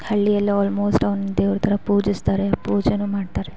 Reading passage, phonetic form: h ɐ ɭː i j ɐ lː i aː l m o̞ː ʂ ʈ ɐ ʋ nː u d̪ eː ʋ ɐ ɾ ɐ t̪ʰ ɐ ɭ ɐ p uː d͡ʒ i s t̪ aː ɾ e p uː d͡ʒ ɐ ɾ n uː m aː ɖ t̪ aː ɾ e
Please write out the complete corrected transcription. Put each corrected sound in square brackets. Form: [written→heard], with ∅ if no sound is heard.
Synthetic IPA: h ɐ ɭː i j ɐ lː i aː l m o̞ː [ʂ→s] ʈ ɐ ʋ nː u d̪ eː ʋ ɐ ɾ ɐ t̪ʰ ɐ [ɭ→ɾ] ɐ p uː d͡ʒ i s t̪ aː ɾ e p uː d͡ʒ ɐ [ɾ→∅] n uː m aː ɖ t̪ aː ɾ e